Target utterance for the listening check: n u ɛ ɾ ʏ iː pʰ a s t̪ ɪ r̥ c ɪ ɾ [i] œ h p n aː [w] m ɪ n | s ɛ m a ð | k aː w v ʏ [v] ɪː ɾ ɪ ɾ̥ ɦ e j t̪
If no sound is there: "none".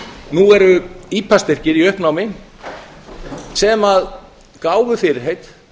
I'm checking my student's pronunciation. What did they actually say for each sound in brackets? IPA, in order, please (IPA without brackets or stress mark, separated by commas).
i, w, f